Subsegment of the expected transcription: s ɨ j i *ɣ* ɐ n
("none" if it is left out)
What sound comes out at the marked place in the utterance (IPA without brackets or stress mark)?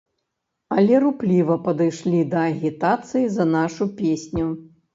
z